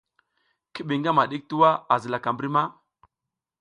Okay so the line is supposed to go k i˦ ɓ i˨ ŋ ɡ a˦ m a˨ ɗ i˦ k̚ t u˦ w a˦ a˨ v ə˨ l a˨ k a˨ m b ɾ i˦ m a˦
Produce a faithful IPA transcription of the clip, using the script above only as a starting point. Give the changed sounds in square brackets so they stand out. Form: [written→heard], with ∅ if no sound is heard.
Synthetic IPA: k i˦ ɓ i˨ ŋ ɡ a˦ m a˨ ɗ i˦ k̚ t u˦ w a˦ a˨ [v→z] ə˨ l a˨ k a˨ m b ɾ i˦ m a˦